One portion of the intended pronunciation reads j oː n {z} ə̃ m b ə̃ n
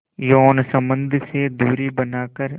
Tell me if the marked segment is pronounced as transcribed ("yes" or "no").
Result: no